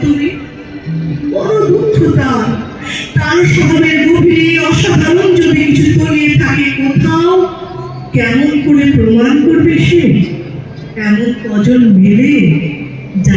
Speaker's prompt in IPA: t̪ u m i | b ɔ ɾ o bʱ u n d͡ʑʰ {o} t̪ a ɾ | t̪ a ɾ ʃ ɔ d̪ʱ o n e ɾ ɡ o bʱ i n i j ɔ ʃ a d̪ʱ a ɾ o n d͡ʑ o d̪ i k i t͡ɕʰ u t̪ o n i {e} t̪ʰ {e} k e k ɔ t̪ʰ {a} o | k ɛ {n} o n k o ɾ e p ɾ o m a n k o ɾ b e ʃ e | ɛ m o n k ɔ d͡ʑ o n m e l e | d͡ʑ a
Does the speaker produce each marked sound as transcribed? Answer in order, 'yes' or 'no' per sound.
yes, yes, no, yes, no

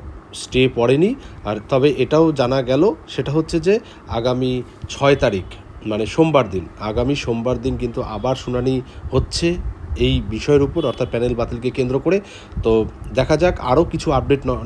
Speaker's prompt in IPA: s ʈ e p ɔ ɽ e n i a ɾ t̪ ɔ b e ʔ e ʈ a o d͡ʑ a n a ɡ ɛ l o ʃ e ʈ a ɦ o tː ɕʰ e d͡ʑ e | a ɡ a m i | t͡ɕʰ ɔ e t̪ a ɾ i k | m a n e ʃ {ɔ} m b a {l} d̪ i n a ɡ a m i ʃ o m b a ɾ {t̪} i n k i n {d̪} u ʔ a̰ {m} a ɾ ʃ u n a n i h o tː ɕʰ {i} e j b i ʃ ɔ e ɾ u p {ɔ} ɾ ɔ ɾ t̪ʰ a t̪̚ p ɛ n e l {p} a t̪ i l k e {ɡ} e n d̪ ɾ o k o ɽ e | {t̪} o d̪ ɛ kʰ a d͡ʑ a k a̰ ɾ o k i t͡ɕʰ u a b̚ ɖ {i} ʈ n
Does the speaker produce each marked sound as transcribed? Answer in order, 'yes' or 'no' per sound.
no, no, no, no, no, no, no, no, no, yes, no

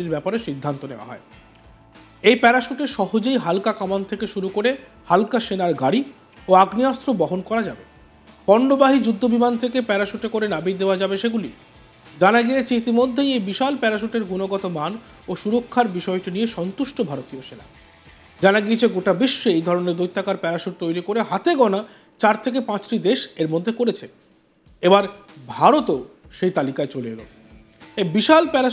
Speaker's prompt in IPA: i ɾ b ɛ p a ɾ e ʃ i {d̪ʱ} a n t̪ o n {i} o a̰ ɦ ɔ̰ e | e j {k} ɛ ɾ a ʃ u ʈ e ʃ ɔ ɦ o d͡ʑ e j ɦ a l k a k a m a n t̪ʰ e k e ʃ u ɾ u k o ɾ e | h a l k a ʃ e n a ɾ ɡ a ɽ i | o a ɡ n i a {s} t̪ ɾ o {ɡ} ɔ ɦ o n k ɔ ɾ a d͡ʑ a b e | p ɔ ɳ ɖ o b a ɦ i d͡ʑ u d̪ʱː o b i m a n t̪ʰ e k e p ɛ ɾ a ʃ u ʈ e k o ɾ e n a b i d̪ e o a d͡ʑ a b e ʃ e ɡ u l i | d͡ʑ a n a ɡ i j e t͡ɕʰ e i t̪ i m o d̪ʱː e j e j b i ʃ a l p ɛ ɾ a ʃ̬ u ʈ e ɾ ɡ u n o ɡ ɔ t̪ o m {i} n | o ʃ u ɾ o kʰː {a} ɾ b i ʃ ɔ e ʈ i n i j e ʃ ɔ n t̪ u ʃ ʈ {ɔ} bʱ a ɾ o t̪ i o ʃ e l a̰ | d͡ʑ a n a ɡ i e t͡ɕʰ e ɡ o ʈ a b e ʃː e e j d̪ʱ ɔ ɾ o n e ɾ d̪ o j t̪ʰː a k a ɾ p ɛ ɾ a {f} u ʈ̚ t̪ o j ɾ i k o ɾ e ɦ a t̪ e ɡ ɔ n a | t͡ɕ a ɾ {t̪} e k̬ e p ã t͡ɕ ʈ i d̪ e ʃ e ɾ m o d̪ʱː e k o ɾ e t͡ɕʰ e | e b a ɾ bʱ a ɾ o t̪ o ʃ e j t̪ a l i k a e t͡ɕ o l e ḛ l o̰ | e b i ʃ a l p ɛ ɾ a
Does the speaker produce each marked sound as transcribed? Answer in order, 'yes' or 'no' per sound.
no, no, no, yes, no, no, yes, no, no, no

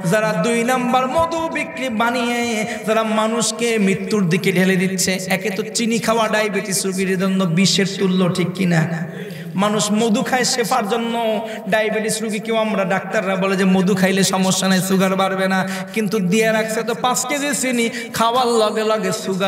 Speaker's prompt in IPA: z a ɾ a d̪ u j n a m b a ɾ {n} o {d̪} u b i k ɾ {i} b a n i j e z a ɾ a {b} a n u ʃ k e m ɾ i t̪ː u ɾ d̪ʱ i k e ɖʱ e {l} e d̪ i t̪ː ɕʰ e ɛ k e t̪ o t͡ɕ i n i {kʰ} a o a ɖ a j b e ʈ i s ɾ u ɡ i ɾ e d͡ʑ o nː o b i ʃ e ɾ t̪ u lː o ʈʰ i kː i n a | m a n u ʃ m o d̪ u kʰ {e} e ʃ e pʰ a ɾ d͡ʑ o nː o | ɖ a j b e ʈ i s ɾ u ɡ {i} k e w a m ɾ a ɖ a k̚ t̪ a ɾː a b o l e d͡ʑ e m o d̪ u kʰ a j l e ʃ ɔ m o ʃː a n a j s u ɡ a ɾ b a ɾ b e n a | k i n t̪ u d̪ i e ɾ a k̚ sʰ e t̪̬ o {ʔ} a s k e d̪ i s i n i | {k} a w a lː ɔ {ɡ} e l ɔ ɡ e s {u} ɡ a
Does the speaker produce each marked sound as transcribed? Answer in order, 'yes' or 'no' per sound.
no, yes, yes, no, yes, yes, no, yes, no, no, yes, yes

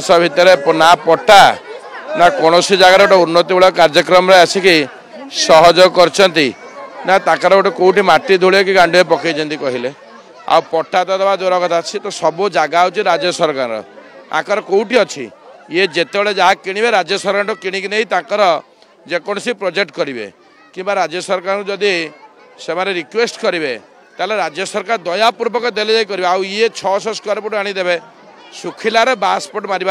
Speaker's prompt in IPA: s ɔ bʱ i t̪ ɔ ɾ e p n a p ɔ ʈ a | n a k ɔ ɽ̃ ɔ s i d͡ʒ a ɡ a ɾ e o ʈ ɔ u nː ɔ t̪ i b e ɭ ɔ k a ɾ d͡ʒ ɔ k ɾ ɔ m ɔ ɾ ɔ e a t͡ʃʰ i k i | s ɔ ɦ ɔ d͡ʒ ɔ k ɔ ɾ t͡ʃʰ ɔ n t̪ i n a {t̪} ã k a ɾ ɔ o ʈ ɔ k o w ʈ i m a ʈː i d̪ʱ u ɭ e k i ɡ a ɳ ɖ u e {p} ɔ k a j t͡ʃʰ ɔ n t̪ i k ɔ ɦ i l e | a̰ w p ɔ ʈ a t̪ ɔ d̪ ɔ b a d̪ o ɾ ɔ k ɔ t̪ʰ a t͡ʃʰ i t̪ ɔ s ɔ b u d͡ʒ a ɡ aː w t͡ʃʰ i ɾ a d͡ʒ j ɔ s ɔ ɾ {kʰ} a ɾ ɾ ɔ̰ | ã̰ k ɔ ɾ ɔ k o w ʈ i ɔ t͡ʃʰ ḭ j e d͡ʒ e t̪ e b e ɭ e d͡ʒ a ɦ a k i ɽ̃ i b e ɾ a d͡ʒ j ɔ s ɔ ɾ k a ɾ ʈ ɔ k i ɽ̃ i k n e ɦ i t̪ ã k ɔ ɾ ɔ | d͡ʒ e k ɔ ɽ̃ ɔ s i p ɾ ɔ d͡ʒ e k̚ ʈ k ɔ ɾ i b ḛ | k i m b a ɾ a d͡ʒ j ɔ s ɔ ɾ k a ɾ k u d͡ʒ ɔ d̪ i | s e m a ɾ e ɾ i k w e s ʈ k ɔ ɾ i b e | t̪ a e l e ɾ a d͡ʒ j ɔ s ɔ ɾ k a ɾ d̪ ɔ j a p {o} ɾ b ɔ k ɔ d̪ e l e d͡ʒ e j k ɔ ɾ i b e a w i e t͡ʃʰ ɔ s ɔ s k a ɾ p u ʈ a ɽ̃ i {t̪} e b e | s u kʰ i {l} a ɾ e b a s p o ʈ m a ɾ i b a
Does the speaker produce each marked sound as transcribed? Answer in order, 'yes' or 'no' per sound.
yes, yes, no, no, no, yes

